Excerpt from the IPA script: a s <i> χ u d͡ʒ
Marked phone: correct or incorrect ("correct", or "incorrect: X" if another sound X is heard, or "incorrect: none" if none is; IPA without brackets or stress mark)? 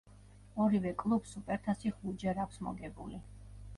correct